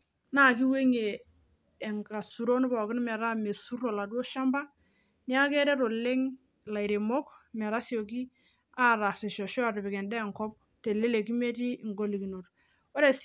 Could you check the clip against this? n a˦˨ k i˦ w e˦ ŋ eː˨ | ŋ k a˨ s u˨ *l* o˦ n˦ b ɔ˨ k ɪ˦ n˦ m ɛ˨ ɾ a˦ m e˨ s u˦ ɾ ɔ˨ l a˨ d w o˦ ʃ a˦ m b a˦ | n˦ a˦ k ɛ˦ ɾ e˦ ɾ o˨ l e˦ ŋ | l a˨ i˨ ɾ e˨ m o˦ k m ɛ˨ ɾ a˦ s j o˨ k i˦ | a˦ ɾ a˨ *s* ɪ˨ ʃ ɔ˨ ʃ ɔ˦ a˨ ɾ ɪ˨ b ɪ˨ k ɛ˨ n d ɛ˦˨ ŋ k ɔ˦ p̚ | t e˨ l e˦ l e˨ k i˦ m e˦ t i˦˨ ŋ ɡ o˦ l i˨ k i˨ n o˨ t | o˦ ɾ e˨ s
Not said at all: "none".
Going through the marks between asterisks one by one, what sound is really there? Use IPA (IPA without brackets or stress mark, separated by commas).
ɾ, s